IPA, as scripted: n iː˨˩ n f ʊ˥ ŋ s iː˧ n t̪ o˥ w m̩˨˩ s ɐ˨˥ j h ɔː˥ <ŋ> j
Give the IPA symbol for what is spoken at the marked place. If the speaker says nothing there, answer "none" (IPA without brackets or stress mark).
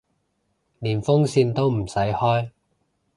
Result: none